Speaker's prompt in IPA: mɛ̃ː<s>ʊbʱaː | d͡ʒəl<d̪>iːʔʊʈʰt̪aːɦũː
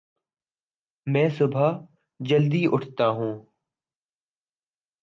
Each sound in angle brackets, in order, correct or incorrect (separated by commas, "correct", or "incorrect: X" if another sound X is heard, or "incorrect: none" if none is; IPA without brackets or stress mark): correct, correct